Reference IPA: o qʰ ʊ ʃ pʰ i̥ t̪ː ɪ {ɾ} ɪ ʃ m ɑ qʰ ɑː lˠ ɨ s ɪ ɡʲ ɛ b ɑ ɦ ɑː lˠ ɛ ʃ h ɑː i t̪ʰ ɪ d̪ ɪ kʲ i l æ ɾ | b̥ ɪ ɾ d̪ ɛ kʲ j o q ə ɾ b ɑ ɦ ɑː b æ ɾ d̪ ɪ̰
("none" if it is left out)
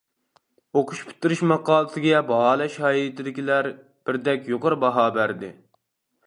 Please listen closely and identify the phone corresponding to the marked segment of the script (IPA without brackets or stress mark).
ɾ